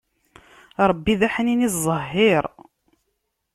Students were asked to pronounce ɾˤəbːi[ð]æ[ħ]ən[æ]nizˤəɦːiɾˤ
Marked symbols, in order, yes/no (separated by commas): yes, yes, no